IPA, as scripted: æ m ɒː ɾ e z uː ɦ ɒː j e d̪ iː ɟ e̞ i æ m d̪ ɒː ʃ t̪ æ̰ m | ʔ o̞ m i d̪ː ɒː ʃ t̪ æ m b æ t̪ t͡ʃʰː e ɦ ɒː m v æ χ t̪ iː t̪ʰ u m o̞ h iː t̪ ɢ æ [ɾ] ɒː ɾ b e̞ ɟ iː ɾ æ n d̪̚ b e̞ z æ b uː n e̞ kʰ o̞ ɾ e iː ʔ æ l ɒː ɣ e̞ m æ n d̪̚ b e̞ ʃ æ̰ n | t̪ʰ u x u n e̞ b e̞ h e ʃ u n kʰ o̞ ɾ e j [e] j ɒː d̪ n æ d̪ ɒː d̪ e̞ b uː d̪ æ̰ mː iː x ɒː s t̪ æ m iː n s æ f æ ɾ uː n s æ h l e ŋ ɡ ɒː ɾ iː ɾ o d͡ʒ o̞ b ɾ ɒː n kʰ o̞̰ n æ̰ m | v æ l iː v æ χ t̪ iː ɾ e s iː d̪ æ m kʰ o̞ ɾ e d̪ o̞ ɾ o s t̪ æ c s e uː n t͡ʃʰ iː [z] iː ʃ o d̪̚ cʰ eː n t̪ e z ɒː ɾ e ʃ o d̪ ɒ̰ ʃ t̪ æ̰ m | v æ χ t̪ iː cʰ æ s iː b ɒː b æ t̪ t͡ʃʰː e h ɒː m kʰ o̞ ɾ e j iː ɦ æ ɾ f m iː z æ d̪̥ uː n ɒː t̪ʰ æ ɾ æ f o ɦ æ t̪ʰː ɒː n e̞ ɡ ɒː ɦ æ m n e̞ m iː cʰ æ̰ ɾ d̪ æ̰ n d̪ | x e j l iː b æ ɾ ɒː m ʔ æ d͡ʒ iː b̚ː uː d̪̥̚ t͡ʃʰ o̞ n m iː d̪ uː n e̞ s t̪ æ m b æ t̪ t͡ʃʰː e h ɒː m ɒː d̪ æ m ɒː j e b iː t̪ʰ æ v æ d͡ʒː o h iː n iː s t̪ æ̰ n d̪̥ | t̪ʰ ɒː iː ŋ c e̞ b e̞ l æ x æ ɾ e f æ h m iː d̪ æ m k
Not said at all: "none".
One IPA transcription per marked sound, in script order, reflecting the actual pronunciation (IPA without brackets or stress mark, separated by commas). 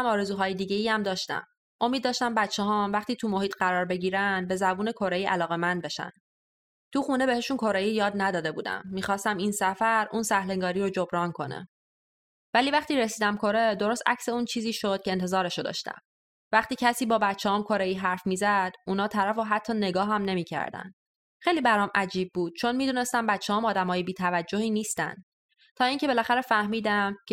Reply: ɾ, i, z